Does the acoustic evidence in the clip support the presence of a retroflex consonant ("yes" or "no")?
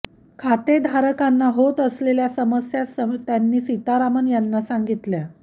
no